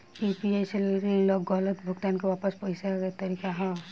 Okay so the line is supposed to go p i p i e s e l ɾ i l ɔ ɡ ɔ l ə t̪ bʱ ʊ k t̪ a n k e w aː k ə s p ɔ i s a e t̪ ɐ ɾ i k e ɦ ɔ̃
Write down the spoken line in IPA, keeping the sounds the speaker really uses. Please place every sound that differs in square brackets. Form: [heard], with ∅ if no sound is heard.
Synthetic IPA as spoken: p i p i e s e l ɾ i l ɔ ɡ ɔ l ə t̪ bʱ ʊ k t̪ a n k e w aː [p] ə s p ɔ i s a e t̪ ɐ ɾ i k [a] ɦ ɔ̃